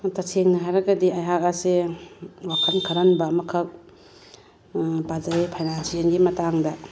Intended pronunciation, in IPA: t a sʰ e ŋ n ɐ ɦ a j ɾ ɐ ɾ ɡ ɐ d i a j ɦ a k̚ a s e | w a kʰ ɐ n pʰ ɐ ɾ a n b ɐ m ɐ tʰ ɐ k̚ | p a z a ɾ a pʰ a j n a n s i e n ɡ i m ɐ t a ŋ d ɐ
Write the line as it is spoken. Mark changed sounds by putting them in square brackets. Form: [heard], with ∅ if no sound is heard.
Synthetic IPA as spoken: t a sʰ e ŋ n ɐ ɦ a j ɾ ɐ [∅] ɡ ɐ d i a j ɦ a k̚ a s e | w a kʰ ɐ n [kʰ] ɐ ɾ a n b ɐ m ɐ [kʰ] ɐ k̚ | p a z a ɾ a pʰ a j n a n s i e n ɡ i m ɐ t a ŋ d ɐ

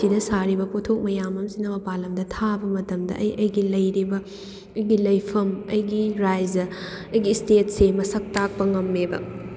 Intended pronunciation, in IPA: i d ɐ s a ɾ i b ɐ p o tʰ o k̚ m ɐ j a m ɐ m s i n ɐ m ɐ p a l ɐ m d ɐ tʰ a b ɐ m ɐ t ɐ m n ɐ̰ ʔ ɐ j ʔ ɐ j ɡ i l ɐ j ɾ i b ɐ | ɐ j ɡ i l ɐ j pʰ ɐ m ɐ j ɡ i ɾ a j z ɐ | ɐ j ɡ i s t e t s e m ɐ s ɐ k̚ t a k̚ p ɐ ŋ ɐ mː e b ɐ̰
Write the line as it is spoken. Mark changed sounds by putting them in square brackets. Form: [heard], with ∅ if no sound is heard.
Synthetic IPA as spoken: i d ɐ s a ɾ i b ɐ p o tʰ o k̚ m ɐ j a m ɐ m s i n ɐ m ɐ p a l ɐ m d ɐ tʰ a b ɐ m ɐ t ɐ m [d] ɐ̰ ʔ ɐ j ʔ ɐ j ɡ i l ɐ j ɾ i b ɐ | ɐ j ɡ i l ɐ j pʰ ɐ m ɐ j ɡ i ɾ a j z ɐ | ɐ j ɡ i s t e t s e m ɐ s ɐ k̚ t a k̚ p ɐ ŋ ɐ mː e b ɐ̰

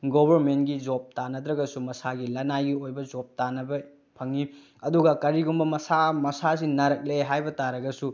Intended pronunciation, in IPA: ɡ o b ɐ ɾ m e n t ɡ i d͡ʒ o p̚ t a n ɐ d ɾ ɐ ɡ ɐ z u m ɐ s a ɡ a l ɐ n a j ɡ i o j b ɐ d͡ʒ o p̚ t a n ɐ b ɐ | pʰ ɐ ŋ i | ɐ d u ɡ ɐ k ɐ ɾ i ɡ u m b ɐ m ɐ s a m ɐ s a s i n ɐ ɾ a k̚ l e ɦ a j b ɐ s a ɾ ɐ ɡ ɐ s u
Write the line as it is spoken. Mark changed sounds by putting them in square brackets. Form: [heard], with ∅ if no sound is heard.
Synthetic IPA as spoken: ɡ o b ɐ ɾ m e n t ɡ i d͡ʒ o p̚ t a n ɐ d ɾ ɐ ɡ ɐ [s] u m ɐ s a ɡ [i] l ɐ n a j ɡ i o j b ɐ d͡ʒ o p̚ t a n ɐ b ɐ | pʰ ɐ ŋ i | ɐ d u ɡ ɐ k ɐ ɾ i ɡ u m b ɐ m ɐ s a m ɐ s a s i n ɐ ɾ [ɐ] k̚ l e ɦ a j b ɐ [t] a ɾ ɐ ɡ ɐ s u

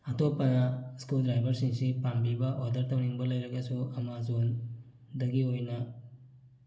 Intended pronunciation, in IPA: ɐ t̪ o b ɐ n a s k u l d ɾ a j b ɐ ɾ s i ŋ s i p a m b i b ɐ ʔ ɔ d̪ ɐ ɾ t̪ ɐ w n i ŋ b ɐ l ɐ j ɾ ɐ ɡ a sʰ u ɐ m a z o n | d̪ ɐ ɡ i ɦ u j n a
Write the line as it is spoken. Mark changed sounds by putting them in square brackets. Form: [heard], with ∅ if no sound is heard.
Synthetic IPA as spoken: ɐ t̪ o [p] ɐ n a s k u l d ɾ a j b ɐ ɾ s i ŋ s i p a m b i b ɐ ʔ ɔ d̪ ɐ ɾ t̪ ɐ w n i ŋ b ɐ l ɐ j ɾ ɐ ɡ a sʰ u ɐ m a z o n | d̪ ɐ ɡ i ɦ [o] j n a

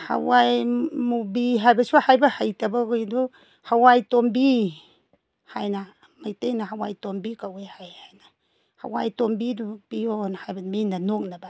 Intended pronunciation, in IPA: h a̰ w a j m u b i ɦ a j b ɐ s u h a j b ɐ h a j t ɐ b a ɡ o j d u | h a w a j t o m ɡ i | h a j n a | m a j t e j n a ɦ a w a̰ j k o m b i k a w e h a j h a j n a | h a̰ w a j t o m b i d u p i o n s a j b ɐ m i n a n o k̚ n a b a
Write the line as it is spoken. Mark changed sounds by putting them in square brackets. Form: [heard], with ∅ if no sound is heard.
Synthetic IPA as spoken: h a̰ w a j m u b i ɦ a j b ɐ s u h a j b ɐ h a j t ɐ b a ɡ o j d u | h a w a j t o m [b] i | h a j n a | m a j t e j n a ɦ a w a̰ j [t] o m b i k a w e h a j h a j n a | h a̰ w a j t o m b i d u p i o n [h] a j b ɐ m i n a n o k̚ n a b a

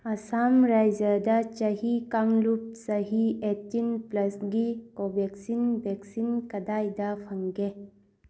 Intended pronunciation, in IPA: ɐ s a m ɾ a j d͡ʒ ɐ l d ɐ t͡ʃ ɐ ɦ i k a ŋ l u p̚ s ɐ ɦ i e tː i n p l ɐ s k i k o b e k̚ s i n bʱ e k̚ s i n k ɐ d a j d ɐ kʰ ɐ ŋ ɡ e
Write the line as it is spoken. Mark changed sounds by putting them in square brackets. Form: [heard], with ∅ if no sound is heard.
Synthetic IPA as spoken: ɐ s a m ɾ a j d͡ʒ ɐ [∅] d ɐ t͡ʃ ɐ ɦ i k a ŋ l u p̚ s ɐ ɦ i e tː i n p l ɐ s [ɡ] i k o b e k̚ s i n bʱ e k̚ s i n k ɐ d a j d ɐ [pʰ] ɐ ŋ ɡ e

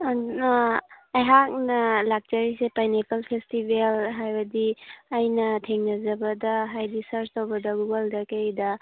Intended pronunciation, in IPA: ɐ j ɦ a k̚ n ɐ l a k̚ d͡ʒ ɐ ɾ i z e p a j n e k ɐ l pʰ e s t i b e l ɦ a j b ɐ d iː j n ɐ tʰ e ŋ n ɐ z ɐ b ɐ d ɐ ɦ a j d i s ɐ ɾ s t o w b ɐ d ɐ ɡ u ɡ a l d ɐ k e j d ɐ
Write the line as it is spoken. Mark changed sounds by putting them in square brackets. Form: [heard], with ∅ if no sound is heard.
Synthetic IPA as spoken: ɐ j ɦ a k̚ n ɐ l a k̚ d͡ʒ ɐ ɾ i [s] e p a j n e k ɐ l pʰ e s t i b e l ɦ a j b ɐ d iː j n ɐ tʰ e ŋ n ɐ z ɐ b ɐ d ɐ ɦ a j d i s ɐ ɾ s t o w b ɐ d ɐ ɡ u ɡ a l d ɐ k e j d ɐ

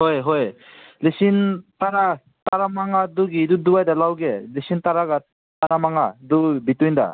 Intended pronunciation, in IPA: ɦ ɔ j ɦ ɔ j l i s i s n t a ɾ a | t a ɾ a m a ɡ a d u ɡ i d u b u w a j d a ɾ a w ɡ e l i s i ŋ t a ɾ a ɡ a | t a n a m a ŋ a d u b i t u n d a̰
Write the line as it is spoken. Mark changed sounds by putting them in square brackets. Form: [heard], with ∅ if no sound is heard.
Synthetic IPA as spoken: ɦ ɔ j ɦ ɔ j l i s i [∅] n t a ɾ a | t a ɾ a m a [ŋ] a d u ɡ i d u [d] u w a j d a [l] a w ɡ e l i s i [n] t a ɾ a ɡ a | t a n a m a ŋ a d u b i t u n d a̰

